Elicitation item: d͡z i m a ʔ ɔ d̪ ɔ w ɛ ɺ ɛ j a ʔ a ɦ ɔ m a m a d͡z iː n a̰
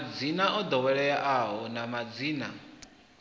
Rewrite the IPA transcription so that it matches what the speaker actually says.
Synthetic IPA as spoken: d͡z i n a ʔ ɔ d̪ ɔ w ɛ ɺ ɛ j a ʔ a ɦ ɔ n a m a d͡z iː n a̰